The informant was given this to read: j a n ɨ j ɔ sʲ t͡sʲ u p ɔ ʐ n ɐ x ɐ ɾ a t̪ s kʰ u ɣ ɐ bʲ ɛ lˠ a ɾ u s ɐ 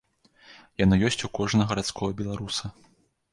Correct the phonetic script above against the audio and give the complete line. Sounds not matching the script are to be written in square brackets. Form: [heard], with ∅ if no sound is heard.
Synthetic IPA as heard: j a n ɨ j ɔ sʲ t͡sʲ u [k] ɔ ʐ n ɐ [ɣ] ɐ ɾ a t̪ s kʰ [ɔ] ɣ ɐ bʲ ɛ lˠ a ɾ u s ɐ